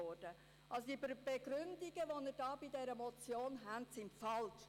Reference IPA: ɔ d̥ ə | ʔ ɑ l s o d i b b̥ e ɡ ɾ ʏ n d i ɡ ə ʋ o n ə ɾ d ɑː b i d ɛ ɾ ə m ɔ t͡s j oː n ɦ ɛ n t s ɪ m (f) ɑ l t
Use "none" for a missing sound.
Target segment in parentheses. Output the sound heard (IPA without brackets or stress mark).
f